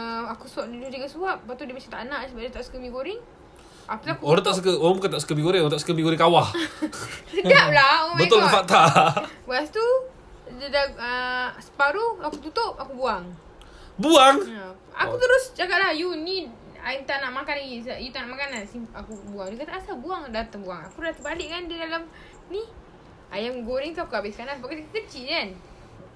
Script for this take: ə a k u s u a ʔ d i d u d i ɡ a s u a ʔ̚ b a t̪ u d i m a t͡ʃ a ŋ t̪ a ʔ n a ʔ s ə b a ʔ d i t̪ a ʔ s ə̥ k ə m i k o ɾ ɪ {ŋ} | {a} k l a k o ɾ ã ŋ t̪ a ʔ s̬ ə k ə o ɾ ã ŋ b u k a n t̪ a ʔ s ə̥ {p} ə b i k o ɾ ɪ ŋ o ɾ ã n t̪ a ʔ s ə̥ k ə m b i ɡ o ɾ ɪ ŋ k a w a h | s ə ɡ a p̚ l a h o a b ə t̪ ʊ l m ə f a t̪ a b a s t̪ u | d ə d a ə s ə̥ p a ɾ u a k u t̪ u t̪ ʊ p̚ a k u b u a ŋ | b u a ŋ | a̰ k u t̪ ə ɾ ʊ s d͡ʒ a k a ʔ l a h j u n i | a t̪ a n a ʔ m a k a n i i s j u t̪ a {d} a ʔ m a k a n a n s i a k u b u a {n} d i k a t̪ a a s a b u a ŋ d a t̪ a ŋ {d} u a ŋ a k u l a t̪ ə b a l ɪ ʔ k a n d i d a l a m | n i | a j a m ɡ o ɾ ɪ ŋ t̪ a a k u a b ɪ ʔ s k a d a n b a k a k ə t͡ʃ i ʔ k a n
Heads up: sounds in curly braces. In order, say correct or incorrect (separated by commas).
correct, correct, incorrect, incorrect, incorrect, incorrect